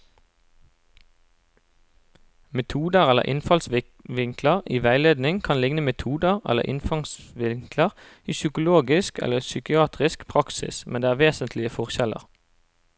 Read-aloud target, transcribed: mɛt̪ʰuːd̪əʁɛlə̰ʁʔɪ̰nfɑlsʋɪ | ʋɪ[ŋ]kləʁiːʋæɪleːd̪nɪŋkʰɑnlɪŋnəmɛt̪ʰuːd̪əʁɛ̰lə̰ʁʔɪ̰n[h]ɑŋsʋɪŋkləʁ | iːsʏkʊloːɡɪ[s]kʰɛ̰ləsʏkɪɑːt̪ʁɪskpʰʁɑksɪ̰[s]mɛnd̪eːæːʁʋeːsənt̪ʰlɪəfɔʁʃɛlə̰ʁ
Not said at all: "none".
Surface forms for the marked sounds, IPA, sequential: ŋ, f, s, s

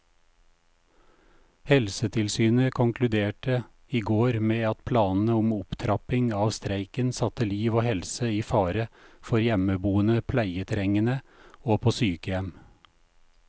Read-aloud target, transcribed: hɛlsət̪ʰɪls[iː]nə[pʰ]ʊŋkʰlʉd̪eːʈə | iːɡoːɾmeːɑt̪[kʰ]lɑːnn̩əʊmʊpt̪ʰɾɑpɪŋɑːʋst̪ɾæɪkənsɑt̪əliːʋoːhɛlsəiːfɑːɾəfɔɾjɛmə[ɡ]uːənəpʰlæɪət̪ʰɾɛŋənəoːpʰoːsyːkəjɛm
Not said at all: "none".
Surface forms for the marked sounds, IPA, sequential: yː, kʰ, pʰ, b

